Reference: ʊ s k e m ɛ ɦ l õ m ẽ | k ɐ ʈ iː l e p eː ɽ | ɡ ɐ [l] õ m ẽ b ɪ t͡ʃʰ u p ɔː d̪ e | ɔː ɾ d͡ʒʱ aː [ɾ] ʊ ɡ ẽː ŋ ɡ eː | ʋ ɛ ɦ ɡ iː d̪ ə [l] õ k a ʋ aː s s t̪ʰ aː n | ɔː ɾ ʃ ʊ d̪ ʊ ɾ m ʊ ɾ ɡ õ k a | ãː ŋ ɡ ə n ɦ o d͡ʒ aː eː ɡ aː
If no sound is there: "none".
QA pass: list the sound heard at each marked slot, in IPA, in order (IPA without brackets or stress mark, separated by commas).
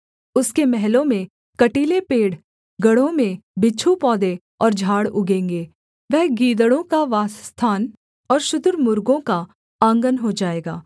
ɽ, ɽ, ɽ